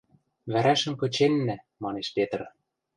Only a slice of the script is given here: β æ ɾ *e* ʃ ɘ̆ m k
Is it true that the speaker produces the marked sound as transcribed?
no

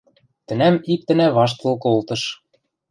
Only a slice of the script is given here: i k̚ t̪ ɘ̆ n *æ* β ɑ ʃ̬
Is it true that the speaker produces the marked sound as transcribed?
yes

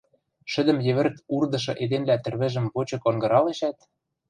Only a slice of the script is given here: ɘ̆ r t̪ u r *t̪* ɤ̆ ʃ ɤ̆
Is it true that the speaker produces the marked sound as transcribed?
no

